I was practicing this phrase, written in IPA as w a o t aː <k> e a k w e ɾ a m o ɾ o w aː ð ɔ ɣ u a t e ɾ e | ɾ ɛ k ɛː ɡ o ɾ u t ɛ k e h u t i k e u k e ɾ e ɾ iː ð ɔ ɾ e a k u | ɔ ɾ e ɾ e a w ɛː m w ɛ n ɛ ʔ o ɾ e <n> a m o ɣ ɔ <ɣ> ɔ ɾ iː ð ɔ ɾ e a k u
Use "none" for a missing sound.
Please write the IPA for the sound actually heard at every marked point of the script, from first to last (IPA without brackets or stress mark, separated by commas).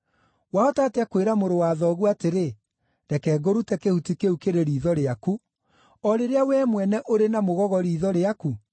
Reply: t, n, ɣ